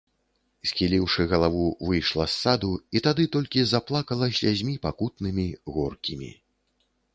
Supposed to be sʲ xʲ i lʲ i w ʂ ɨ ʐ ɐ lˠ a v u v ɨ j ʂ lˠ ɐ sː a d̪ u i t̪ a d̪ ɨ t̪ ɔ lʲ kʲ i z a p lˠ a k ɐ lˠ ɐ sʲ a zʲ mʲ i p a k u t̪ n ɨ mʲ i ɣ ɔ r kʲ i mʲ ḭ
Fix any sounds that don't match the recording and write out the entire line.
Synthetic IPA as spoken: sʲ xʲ i lʲ i w ʂ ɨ ɣ ɐ lˠ a v u v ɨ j ʂ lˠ ɐ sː a d̪ u i t̪ a d̪ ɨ t̪ ɔ lʲ kʲ i z a p lˠ a k ɐ lˠ ɐ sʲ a zʲ mʲ i p a k u t̪ n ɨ mʲ i ɣ ɔ r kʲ i mʲ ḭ